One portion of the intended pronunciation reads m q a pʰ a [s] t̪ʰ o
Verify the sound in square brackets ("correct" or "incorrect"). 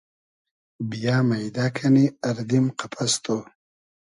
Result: correct